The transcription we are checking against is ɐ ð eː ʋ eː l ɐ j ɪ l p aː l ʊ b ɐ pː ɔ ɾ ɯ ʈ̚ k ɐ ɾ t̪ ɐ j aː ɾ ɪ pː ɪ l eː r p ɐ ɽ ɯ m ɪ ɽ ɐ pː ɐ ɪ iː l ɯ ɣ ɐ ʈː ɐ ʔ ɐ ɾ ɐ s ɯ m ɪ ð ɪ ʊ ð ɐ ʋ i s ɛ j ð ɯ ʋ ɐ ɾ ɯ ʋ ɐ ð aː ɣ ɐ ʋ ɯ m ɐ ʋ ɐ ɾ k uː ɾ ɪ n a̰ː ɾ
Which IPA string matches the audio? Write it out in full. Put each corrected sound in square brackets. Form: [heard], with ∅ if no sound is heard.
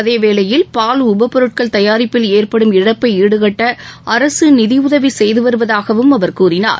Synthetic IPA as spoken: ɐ ð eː ʋ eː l ɐ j ɪ l p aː l ʊ b ɐ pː ɔ ɾ ɯ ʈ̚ k ɐ [ɭ] t̪ ɐ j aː ɾ ɪ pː ɪ l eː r p ɐ ɽ ɯ m ɪ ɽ ɐ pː ɐ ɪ iː [ɽ] ɯ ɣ ɐ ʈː ɐ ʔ ɐ ɾ ɐ s ɯ [n] ɪ ð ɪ ʊ ð ɐ ʋ i s ɛ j ð ɯ ʋ ɐ ɾ ɯ ʋ ɐ ð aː ɣ ɐ ʋ ɯ m ɐ ʋ ɐ ɾ k uː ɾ ɪ n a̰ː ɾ